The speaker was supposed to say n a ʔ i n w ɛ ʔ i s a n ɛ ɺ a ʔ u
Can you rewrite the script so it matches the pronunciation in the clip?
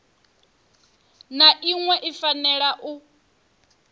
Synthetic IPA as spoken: n a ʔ i ŋ w ɛ ʔ i f a n ɛ ɺ a ʔ u